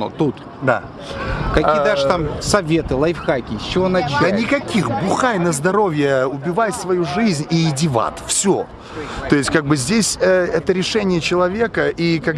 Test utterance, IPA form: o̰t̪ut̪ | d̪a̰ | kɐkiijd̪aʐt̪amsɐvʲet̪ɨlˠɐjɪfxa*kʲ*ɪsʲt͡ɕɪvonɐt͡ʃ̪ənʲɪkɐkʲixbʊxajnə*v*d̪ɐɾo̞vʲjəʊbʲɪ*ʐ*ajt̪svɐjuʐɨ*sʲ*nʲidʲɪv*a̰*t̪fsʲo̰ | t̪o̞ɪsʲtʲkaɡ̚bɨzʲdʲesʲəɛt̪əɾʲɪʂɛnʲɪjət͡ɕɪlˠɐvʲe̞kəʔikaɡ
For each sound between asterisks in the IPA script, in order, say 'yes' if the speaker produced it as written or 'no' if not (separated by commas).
yes, no, no, no, yes